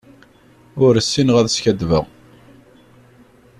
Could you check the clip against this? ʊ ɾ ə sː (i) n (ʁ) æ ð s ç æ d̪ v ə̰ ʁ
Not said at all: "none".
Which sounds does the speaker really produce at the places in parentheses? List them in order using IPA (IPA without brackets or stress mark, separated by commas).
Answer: i, ʁ